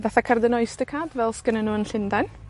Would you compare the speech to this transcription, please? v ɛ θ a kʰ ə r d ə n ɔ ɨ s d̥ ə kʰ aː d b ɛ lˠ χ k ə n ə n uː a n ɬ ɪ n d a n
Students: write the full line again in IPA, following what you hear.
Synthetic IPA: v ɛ θ a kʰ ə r d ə n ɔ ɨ s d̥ ə kʰ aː d v ɛ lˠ s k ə n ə n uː ə n ɬ ɪ n d a n